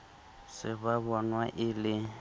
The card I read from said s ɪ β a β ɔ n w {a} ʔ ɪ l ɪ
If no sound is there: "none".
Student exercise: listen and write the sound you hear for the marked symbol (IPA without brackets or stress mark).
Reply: a